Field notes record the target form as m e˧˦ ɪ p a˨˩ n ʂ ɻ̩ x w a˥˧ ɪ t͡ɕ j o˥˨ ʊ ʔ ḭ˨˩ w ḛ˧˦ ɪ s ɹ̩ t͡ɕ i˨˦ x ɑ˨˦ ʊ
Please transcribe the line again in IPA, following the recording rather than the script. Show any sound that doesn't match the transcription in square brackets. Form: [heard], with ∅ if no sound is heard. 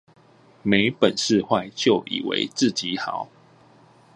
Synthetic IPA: m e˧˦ ɪ p [ə˨˩] n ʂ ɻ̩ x w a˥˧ ɪ t͡ɕ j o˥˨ ʊ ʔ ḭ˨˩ w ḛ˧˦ ɪ [t͡s] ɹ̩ t͡ɕ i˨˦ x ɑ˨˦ ʊ